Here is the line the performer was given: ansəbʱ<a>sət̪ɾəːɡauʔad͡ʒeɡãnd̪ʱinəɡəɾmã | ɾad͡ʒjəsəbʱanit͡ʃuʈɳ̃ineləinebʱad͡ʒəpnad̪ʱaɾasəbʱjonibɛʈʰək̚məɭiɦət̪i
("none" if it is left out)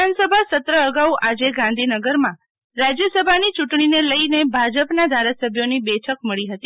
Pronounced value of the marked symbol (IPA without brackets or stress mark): a